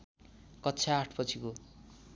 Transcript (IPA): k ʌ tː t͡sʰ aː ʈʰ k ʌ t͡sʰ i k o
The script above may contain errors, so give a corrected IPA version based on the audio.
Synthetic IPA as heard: k ʌ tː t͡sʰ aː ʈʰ p ʌ t͡sʰ i k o